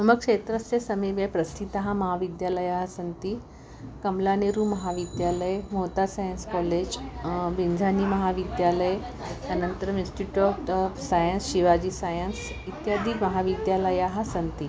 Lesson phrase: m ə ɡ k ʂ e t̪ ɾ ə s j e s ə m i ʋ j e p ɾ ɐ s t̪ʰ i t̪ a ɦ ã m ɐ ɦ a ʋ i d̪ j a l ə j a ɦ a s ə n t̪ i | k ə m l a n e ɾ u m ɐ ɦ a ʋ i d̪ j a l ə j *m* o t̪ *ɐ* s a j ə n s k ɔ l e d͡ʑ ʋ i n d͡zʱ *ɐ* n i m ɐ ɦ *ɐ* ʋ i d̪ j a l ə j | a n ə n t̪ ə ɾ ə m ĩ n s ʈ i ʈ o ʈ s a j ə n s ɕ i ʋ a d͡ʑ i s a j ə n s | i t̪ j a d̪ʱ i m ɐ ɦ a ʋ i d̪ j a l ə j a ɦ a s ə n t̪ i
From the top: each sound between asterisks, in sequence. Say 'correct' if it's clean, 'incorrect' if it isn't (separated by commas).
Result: correct, incorrect, incorrect, incorrect